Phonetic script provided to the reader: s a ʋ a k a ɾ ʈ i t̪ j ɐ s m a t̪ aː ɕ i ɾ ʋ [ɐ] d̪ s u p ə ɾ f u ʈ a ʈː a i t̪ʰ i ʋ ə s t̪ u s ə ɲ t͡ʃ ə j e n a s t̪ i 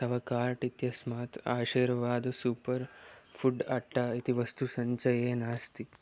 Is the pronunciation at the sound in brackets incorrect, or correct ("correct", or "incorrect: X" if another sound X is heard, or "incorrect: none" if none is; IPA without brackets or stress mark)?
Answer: incorrect: a